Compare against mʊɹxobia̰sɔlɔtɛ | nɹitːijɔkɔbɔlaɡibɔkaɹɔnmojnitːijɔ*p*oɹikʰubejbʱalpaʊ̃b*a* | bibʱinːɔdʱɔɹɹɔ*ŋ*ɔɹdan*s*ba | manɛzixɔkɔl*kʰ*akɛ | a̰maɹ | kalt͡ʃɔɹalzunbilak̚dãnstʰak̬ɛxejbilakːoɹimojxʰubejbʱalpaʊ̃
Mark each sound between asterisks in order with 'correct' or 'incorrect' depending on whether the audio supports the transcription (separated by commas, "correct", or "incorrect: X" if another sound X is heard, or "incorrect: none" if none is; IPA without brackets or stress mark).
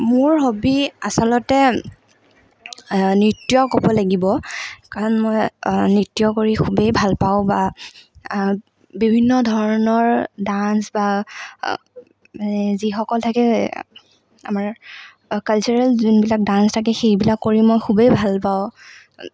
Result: incorrect: k, correct, incorrect: n, correct, incorrect: tʰ